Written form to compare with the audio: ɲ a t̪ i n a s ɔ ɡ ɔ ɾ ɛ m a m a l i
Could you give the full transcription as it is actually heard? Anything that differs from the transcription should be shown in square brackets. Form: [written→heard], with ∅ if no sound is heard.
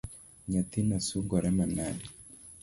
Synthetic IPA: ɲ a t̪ i n a s [ɔ→u] ɡ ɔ ɾ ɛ m a [m→n] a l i